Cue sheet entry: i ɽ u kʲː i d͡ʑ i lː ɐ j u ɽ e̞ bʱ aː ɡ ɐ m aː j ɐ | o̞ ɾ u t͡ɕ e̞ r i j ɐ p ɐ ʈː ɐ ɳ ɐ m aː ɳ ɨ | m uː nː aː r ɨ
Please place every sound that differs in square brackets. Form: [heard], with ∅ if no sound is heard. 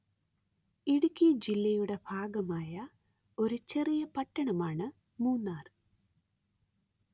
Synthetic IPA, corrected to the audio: i ɽ u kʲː i d͡ʑ i lː ɐ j u ɽ e̞ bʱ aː ɡ ɐ m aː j ɐ | o̞ ɾ u t͡ɕ e̞ r i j ɐ p ɐ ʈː ɐ ɳ ɐ m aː ɳ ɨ | m uː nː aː r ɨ

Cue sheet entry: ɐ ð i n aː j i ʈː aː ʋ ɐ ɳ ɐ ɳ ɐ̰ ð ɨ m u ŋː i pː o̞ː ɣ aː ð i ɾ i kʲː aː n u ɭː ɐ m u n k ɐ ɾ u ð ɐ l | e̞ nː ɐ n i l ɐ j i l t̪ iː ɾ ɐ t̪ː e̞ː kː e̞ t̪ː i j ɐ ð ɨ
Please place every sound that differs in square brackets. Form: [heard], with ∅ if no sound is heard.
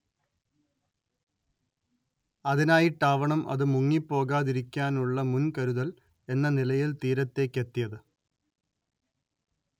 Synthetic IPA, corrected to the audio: ɐ ð i n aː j i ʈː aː ʋ ɐ ɳ ɐ [m] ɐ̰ ð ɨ m u ŋː i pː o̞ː ɣ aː ð i ɾ i kʲː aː n u ɭː ɐ m u n k ɐ ɾ u ð ɐ l | e̞ nː ɐ n i l ɐ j i l t̪ iː ɾ ɐ t̪ː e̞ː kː e̞ t̪ː i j ɐ ð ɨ

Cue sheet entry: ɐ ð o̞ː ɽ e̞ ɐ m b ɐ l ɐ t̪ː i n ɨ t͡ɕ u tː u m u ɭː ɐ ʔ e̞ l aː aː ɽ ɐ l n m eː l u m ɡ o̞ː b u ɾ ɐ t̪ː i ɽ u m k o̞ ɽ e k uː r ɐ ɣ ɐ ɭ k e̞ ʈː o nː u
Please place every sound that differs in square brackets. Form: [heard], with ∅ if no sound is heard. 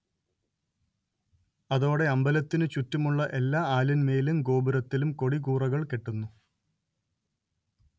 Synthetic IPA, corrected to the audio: ɐ ð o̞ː ɽ e̞ ɐ m b ɐ l ɐ t̪ː i n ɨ t͡ɕ u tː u m u ɭː ɐ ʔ e̞ [lː] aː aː [l] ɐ [∅] n m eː l u m ɡ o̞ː b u ɾ ɐ t̪ː i [l] u m k o̞ ɽ [i] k uː r ɐ ɣ ɐ ɭ k e̞ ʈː [u] nː u

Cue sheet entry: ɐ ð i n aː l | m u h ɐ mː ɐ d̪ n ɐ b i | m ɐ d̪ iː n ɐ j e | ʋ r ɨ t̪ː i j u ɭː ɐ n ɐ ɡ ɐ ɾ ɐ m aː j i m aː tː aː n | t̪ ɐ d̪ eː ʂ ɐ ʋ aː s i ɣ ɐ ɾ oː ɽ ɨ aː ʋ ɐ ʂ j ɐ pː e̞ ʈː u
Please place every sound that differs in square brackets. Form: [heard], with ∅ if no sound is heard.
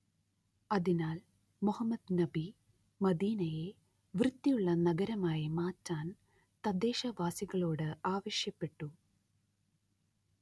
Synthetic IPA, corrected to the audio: ɐ ð i n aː l | m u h ɐ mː ɐ d̪ n ɐ b i | m ɐ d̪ iː n ɐ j e | ʋ r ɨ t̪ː i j u ɭː ɐ n ɐ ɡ ɐ ɾ ɐ m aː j i m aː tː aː n | t̪ ɐ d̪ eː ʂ ɐ ʋ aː s i ɣ ɐ [ɭ] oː ɽ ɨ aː ʋ ɐ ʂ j ɐ pː e̞ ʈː u

